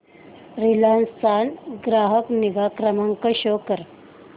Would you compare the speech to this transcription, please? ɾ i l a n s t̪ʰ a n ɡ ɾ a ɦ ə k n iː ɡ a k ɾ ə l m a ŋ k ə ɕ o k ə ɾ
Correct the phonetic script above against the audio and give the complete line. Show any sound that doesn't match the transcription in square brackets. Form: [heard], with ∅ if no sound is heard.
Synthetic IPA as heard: ɾ i l a n s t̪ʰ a n ɡ ɾ a ɦ ə k n [i] ɡ a k ɾ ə [∅] m a ŋ k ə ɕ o k ə ɾ